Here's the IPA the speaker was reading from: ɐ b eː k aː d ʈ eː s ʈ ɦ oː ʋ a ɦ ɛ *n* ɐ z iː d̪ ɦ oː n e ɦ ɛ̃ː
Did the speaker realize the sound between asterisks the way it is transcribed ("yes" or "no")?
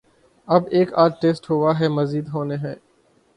no